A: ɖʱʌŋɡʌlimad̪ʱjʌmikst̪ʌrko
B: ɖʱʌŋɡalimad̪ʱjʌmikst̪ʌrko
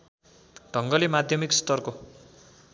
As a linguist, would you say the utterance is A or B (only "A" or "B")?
A